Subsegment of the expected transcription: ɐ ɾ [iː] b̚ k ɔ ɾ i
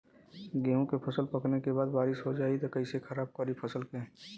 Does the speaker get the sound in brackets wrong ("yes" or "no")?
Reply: yes